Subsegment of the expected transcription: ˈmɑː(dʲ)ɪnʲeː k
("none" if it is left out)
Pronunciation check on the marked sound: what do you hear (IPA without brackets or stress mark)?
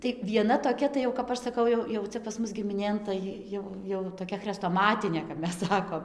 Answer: tʲ